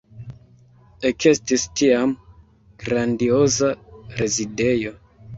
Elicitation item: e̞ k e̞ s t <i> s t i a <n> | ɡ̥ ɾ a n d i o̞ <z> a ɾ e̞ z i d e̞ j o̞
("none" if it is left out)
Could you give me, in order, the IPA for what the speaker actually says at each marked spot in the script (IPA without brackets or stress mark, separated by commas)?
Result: i, m, z